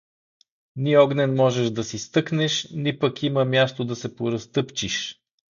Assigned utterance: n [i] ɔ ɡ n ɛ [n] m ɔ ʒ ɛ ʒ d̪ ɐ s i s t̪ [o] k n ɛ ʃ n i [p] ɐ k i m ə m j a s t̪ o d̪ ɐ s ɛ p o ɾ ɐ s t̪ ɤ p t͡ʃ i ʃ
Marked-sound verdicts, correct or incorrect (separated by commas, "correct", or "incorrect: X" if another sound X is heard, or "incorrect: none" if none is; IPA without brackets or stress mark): correct, correct, incorrect: ɤ, correct